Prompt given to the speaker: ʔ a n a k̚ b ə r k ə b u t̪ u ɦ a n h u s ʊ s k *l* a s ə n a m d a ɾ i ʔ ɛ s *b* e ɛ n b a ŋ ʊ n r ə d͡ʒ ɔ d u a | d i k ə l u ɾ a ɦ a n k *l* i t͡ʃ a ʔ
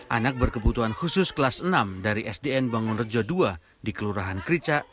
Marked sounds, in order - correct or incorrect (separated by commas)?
correct, incorrect, incorrect